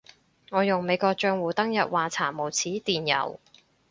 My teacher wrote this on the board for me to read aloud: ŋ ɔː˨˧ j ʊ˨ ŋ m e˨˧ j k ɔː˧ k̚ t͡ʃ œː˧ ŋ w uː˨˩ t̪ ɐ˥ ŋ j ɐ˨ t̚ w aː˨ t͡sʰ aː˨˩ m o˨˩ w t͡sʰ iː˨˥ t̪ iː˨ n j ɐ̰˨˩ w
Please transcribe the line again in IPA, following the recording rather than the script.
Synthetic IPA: ŋ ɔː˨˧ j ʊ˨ ŋ m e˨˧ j k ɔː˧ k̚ t͡ʃ œː˧ ŋ w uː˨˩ t̪ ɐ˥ ŋ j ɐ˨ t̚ w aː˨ t͡sʰ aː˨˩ m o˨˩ w t͡sʰ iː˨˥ t̪ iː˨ n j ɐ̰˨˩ w

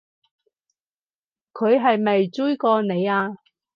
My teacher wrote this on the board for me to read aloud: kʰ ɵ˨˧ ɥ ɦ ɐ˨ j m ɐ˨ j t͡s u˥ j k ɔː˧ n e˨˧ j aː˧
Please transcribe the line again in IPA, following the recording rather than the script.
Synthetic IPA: kʰ ɵ˨˧ ɥ ɦ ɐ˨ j m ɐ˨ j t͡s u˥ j k ɔː˧ n e˨˧ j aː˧

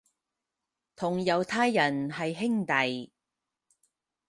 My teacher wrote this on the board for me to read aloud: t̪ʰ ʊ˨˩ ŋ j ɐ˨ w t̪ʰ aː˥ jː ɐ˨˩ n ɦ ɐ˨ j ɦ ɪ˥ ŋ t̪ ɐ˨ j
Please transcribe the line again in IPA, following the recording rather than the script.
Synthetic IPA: t̪ʰ ʊ˨˩ ŋ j ɐ˨ w t̪ʰ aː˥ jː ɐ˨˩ n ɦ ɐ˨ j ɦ ɪ˥ ŋ t̪ ɐ˨ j

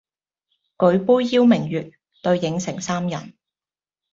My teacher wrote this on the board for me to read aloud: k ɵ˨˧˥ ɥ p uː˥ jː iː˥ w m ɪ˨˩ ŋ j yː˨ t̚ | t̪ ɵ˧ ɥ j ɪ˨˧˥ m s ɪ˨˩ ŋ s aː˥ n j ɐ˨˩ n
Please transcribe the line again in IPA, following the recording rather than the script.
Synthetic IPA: k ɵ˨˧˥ ɥ p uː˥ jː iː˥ w m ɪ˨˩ ŋ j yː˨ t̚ | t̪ ɵ˧ ɥ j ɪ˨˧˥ ŋ s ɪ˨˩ ŋ s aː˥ m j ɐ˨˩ n

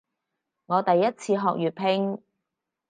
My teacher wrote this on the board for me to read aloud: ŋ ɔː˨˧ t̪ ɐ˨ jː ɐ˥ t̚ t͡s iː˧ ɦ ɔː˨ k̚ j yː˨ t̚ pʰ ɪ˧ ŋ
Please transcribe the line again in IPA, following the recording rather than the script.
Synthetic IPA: ŋ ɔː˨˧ t̪ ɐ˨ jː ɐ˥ t̚ t͡sʰ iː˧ ɦ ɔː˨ k̚ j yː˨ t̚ pʰ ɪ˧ ŋ

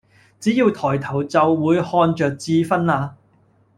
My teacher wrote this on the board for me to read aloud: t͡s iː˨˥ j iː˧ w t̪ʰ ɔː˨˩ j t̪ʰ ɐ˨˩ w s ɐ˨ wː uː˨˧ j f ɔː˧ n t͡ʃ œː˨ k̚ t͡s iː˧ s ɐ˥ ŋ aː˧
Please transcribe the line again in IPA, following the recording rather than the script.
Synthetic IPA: t͡s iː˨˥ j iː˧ w t̪ʰ ɔː˨˩ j t̪ʰ ɐ˨˩ w t͡s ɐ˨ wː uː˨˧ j h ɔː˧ n t͡ʃ œː˨ k̚ t͡s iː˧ f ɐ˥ n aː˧

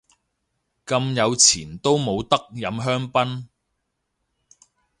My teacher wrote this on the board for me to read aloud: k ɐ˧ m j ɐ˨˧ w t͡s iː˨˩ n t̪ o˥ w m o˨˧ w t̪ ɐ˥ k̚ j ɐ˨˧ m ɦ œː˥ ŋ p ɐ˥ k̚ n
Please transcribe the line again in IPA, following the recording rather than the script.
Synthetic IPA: k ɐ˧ m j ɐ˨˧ w t͡sʰ iː˨˩ n t̪ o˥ w m o˨˧ w t̪ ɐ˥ k̚ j ɐ˨˧ m ɦ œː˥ ŋ p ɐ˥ n

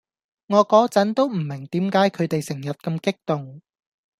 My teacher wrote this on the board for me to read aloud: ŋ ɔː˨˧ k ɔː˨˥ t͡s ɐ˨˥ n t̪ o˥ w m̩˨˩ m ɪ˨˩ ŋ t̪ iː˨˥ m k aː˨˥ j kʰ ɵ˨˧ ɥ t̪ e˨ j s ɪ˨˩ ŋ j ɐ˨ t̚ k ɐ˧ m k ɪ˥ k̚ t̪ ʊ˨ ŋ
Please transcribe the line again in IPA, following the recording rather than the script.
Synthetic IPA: ŋ ɔː˨˧ k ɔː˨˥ t͡s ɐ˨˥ n t̪ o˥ w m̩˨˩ m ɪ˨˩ ŋ t̪ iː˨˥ m k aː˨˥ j kʰ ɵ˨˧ ɥ t̪ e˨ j s ɪ˨˩ ŋ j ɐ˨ t̚ k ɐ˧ m k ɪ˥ k̚ t̪ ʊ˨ ŋ

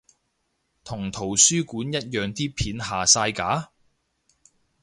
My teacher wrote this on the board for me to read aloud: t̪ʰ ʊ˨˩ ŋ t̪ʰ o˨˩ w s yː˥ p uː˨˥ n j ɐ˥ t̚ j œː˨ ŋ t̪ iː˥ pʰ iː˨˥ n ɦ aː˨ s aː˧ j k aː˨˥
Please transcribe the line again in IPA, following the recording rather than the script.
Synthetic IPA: t̪ʰ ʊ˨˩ ŋ t̪ʰ o˨˩ w s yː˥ k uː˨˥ n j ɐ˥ t̚ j œː˨ ŋ t̪ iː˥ pʰ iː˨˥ n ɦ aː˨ s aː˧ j k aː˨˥

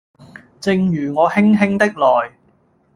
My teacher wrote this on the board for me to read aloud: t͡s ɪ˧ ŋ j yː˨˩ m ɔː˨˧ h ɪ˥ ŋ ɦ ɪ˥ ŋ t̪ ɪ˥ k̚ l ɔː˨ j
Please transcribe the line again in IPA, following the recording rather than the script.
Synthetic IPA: t͡s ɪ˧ ŋ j yː˨˩ ŋ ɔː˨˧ h ɪ˥ ŋ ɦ ɪ˥ ŋ t̪ ɪ˥ k̚ l ɔː˨ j

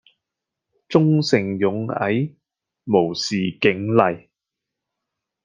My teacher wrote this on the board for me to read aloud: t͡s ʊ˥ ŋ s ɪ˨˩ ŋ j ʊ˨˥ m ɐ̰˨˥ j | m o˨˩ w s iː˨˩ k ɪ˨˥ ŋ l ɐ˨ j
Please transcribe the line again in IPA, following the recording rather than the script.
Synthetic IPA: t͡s ʊ˥ ŋ s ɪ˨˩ ŋ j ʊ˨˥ ŋ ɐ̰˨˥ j | m o˨˩ w s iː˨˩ k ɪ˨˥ ŋ l ɐ˨ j

